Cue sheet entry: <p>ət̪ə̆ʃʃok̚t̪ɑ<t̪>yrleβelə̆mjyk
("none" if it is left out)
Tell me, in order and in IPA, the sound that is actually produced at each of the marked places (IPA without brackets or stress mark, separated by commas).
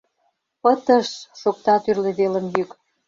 p, t̪